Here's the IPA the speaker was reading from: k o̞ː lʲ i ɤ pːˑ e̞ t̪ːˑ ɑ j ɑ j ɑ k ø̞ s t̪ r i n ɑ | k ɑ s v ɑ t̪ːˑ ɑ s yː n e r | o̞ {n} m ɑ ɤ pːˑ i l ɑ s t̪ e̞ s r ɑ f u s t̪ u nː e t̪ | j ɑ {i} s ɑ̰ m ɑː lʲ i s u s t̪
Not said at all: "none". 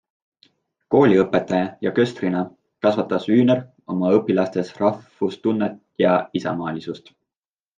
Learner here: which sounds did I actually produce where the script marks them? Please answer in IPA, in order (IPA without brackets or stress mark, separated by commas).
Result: none, i